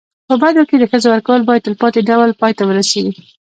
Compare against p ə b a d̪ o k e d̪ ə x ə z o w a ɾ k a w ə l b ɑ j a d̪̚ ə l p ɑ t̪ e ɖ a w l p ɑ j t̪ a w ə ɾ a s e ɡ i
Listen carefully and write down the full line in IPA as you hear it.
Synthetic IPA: p ə b a d̪ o k e d̪ ə x ə z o w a ɾ k a w ə l b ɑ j a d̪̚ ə l p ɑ t̪ e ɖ a w l p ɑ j t̪ a w ə ɾ a s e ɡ i